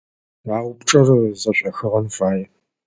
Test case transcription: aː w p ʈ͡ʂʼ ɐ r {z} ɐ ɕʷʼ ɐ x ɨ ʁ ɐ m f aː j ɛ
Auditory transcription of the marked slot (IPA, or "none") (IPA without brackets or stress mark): z